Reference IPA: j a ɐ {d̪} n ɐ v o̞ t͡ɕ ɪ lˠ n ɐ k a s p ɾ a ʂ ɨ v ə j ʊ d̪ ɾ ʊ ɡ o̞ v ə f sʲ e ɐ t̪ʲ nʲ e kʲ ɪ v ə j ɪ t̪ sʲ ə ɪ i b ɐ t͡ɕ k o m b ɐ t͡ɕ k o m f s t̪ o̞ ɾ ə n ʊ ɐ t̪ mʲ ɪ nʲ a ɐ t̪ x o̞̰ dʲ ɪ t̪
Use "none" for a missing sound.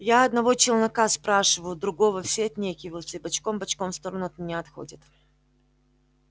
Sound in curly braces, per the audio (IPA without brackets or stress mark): d̪